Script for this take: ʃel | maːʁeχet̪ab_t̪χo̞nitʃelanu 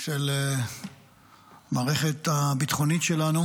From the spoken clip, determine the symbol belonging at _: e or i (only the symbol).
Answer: i